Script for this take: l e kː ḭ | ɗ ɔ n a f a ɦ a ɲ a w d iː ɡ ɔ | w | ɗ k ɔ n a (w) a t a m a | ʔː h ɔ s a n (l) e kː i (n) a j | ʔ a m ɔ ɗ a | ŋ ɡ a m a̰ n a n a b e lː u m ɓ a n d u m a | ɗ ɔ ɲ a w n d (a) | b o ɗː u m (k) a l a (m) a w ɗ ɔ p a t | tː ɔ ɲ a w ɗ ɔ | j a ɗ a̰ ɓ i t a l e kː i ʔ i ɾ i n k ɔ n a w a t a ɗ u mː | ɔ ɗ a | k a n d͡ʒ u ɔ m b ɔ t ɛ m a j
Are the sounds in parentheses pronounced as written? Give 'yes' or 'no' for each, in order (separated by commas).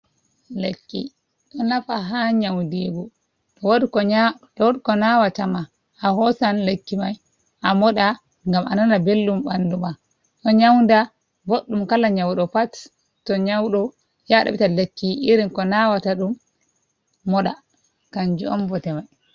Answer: yes, yes, no, yes, yes, no